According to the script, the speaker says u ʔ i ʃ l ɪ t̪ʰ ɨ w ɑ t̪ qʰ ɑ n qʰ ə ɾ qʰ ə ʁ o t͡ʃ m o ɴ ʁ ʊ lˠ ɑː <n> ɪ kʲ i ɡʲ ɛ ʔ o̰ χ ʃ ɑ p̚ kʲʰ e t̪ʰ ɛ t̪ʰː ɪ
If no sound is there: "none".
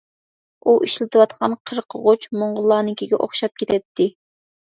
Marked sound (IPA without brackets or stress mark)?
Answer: n